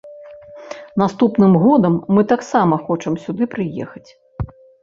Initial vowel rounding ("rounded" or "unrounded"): unrounded